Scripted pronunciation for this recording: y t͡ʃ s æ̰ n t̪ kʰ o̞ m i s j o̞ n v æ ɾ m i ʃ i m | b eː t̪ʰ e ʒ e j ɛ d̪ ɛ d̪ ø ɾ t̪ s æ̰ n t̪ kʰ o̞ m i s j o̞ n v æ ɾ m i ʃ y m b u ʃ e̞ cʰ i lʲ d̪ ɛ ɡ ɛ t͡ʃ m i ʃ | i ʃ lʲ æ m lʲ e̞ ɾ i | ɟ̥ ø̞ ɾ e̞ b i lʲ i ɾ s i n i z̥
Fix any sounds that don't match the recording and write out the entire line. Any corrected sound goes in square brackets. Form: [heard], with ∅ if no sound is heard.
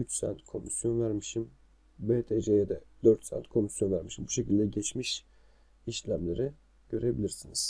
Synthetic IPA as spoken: y t͡ʃ s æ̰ n t̪ kʰ o̞ m i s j o̞ n v æ ɾ m i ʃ i m | b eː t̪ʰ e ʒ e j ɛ d̪ ɛ d̪ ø ɾ t̪ s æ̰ n t̪ kʰ o̞ m i s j o̞ n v æ ɾ m i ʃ [i] m b u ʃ e̞ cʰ i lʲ d̪ ɛ [ɟ] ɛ t͡ʃ m i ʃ | i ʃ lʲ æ m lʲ e̞ ɾ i | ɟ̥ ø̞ ɾ e̞ b i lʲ i ɾ s i n i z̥